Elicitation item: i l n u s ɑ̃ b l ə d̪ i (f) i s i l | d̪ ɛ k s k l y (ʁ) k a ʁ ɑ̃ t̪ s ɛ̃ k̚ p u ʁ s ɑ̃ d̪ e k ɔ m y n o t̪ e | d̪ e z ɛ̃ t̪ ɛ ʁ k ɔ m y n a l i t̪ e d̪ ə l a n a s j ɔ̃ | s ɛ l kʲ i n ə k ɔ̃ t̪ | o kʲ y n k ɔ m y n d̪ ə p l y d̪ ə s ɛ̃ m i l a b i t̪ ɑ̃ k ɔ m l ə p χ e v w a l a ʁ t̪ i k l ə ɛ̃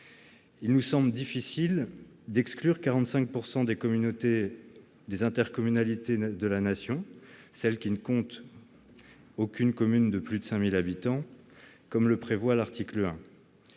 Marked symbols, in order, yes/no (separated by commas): yes, yes